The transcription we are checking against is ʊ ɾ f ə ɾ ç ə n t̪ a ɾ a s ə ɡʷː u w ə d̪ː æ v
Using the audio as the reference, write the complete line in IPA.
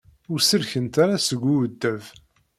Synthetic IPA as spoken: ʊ ɾ s ə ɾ ç ə n t̪ a ɾ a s ə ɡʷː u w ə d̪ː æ v